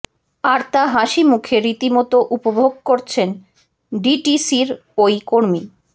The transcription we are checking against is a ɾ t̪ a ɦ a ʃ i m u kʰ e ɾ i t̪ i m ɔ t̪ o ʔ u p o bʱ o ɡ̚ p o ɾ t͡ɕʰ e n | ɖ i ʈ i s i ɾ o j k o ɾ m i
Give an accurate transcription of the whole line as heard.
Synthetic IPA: a ɾ t̪ a ɦ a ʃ i m u kʰ e ɾ i t̪ i m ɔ t̪ o ʔ u p o bʱ o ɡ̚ k o ɾ t͡ɕʰ e n | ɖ i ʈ i s i ɾ o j k o ɾ m i